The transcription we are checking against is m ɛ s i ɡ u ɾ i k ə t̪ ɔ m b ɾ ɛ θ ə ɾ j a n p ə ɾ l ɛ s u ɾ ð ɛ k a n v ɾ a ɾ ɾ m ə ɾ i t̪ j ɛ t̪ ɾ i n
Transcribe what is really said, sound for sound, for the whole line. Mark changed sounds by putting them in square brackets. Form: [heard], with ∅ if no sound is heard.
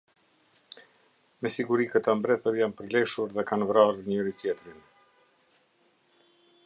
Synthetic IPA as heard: m ɛ s i ɡ u ɾ i k ə t̪ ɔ m b ɾ ɛ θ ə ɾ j a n p ə ɾ l ɛ [ʃ] u ɾ ð ɛ k a n v ɾ a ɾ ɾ [ɲ] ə ɾ i t̪ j ɛ t̪ ɾ i n